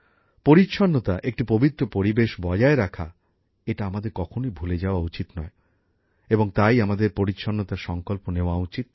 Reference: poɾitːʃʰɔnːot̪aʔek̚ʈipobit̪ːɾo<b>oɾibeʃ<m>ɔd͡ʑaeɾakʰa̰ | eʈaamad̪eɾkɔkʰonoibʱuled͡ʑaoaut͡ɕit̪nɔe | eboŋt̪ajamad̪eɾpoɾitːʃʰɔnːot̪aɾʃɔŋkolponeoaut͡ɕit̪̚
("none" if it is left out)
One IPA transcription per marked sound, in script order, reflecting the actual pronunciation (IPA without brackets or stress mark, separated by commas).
p, b